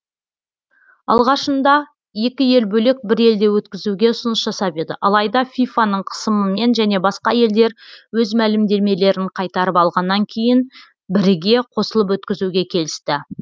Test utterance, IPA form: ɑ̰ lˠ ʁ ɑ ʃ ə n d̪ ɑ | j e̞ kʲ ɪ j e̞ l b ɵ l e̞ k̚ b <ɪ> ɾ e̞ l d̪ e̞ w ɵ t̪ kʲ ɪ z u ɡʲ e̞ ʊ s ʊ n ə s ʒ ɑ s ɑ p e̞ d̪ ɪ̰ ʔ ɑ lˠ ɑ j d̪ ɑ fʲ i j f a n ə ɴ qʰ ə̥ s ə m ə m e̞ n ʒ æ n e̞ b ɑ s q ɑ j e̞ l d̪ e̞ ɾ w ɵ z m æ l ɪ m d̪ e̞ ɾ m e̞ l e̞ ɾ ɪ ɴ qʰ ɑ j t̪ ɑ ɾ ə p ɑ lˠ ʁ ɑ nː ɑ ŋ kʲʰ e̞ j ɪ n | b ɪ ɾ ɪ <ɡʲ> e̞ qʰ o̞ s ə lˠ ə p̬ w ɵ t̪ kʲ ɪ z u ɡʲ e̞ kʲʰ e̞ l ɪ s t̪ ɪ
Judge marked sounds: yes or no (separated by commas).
yes, yes